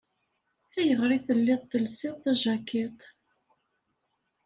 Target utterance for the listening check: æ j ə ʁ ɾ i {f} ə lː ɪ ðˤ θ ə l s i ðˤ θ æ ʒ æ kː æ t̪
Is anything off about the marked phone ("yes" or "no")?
yes